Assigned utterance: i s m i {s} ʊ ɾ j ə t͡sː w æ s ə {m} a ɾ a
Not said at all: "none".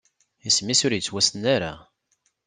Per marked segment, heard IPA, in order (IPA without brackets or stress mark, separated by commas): s, n